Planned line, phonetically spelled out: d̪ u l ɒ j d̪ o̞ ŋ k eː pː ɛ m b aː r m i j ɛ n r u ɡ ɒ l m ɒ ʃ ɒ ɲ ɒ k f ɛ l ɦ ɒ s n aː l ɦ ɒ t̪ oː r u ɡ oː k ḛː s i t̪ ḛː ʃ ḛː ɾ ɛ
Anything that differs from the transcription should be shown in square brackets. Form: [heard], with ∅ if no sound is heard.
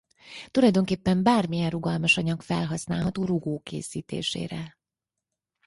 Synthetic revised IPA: [t̪] u l ɒ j d̪ o̞ ŋ k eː pː ɛ m b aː r m i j ɛ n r u ɡ ɒ l m ɒ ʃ ɒ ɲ ɒ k f ɛ l ɦ ɒ s n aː l ɦ ɒ t̪ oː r u ɡ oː k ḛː s [iː] t̪ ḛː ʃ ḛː ɾ ɛ